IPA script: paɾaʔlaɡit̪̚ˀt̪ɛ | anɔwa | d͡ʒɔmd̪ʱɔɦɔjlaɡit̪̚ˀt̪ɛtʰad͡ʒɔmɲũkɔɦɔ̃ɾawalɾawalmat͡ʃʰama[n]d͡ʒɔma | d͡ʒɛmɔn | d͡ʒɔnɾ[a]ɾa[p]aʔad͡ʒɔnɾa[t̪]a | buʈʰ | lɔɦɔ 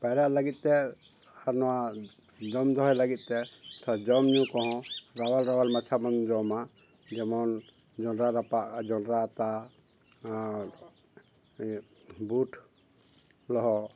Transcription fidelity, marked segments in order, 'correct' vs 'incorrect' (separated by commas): correct, correct, correct, correct